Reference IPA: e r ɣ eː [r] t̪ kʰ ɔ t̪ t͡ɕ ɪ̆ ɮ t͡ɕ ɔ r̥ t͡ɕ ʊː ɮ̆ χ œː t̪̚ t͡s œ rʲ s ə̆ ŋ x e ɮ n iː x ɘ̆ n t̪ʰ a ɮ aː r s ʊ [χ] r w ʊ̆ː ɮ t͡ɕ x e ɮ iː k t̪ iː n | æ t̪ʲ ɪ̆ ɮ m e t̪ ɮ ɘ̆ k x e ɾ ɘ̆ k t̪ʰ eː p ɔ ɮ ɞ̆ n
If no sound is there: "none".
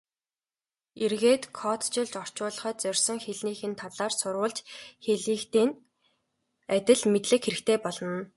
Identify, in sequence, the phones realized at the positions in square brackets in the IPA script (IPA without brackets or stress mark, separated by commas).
none, none